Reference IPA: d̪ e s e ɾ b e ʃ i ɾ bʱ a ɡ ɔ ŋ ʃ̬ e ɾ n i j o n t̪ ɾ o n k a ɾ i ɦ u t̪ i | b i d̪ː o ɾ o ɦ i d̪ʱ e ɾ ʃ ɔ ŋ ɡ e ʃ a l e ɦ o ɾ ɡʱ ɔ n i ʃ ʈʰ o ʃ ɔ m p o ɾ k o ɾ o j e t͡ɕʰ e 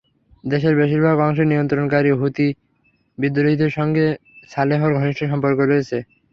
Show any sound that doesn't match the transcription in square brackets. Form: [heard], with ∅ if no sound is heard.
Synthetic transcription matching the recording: d̪ e [ʃ] e ɾ b e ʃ i ɾ bʱ a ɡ ɔ ŋ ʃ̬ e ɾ n i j o n t̪ ɾ o n k a ɾ i ɦ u t̪ i | b i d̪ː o ɾ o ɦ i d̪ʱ e ɾ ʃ ɔ ŋ ɡ e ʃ a l e ɦ o ɾ ɡʱ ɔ n i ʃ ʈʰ o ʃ ɔ m p o ɾ k o ɾ o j e t͡ɕʰ e